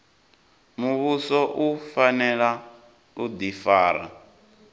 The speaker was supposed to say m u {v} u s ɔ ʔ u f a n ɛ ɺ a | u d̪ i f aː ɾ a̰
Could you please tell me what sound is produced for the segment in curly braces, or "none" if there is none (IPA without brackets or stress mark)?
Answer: β